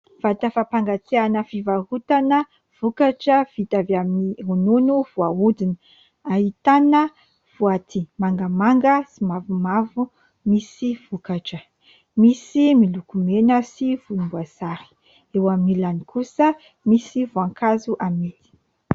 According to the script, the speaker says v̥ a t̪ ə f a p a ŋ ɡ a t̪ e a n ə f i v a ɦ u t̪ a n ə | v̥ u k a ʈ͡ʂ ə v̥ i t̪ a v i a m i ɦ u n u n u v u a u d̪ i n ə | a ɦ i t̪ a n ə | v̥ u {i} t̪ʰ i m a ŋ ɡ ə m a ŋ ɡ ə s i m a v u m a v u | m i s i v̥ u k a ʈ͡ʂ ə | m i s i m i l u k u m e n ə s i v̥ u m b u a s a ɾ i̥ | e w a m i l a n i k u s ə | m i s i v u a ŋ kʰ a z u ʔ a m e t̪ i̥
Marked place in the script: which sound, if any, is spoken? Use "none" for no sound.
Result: a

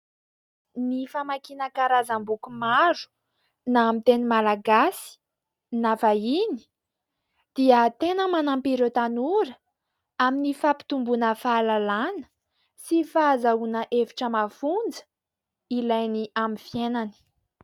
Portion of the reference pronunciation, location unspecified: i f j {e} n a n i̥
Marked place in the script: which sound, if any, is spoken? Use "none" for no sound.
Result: e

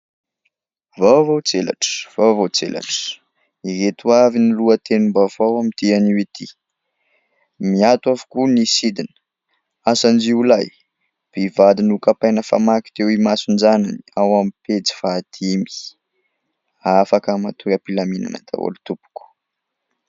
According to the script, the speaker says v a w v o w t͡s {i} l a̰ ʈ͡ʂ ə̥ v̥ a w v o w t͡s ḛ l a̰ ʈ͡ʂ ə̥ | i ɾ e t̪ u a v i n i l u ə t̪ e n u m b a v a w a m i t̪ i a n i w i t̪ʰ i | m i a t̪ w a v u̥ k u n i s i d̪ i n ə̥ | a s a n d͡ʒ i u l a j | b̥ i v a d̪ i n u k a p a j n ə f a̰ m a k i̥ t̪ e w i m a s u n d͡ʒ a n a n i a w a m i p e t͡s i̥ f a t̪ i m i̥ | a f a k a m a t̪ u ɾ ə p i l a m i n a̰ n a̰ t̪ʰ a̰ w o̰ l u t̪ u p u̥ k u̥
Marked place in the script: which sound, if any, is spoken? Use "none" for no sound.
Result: e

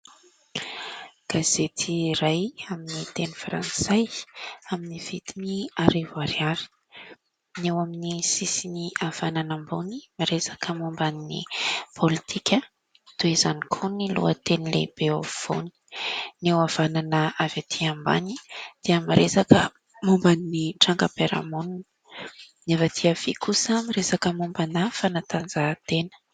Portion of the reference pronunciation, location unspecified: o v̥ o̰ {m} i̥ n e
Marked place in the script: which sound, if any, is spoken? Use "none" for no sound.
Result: n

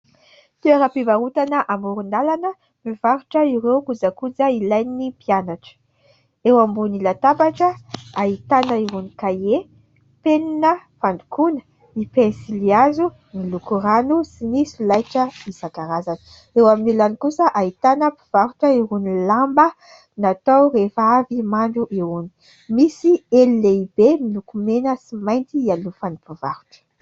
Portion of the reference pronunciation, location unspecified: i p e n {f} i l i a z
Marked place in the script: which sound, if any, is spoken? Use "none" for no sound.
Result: s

